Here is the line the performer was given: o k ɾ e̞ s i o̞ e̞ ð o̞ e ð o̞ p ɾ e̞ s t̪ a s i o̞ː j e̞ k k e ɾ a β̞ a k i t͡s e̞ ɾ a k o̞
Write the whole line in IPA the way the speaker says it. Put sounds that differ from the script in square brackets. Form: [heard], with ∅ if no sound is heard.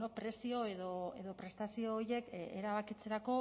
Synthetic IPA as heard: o [p] ɾ e̞ s i o̞ e̞ ð o̞ e ð o̞ p ɾ e̞ s t̪ a s i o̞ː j e̞ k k e ɾ a β̞ a k i t͡s e̞ ɾ a k o̞